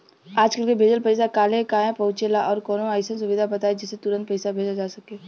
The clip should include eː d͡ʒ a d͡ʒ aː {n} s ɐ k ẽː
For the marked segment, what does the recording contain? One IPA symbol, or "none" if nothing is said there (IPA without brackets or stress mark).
none